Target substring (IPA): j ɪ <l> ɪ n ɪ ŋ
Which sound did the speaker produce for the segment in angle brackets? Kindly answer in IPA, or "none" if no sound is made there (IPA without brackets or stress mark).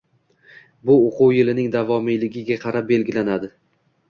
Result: l